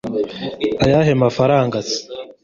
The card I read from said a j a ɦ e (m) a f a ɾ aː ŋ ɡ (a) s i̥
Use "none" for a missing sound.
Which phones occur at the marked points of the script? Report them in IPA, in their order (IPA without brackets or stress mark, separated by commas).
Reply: m, a